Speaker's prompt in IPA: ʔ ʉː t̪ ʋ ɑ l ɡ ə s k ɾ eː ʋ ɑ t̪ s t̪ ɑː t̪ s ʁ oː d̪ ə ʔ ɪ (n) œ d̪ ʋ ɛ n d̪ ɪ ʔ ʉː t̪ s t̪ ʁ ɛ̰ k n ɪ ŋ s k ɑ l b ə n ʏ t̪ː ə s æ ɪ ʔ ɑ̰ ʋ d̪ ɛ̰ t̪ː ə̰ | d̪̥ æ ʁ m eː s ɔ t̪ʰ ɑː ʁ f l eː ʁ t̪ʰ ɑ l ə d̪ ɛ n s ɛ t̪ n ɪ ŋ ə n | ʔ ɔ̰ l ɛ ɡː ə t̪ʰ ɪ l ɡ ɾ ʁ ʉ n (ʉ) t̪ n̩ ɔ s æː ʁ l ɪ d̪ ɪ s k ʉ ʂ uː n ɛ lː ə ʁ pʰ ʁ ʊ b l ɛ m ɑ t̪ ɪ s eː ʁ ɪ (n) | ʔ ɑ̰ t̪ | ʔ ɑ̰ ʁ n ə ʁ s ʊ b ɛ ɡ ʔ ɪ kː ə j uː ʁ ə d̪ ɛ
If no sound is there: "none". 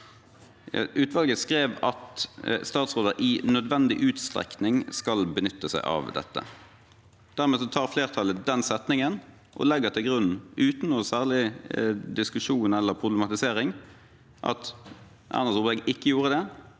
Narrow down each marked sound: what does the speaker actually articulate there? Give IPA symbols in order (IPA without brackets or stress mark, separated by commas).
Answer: n, ʉː, ŋ